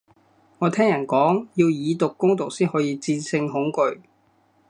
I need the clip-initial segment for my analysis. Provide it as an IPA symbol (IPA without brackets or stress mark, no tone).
ŋ